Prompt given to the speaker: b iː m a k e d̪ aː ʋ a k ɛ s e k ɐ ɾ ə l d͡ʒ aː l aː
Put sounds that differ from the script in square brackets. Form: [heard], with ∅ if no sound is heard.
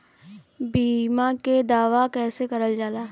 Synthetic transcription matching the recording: b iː m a k e d̪ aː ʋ a k [ɛː] s e k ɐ ɾ ə l d͡ʒ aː l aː